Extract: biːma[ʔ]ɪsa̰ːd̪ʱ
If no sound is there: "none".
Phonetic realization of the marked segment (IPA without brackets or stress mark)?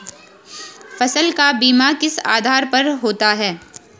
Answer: k